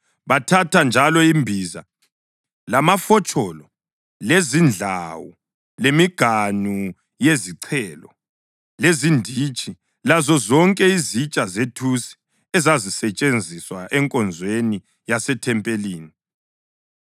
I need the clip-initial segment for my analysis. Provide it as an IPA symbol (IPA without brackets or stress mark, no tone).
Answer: β